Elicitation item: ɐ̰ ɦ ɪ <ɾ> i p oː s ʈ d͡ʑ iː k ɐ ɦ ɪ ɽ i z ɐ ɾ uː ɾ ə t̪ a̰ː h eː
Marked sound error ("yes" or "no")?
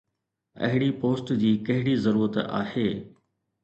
yes